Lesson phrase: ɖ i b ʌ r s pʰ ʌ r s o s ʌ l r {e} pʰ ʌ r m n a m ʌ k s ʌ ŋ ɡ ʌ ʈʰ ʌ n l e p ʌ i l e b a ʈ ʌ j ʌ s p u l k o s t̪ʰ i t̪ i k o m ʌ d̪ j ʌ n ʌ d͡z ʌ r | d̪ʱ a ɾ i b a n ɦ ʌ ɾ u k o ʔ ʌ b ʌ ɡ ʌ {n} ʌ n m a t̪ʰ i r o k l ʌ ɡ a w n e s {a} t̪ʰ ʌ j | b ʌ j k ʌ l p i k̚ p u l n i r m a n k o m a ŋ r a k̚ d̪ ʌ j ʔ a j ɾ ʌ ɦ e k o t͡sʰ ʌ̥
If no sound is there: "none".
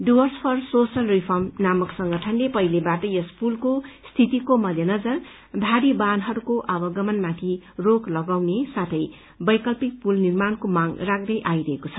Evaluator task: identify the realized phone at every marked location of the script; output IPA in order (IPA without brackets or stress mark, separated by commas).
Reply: i, m, a